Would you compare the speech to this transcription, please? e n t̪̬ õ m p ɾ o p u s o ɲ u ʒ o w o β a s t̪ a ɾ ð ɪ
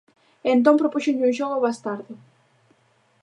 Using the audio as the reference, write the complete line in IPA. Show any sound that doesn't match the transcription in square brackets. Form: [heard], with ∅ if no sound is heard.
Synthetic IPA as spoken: e n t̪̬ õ m p ɾ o p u [ʃ] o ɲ u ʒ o [ɣ] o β a s t̪ a ɾ ð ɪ